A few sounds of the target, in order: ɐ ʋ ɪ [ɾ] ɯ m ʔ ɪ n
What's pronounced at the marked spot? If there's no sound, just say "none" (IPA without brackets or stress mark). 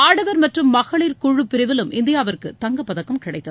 l